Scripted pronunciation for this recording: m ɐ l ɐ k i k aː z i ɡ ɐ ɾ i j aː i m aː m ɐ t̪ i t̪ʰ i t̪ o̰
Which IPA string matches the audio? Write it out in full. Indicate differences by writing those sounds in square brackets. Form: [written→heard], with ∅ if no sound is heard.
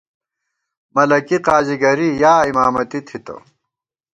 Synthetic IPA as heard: m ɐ l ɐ k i [k→q] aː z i ɡ ɐ ɾ i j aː i m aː m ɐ t̪ i t̪ʰ i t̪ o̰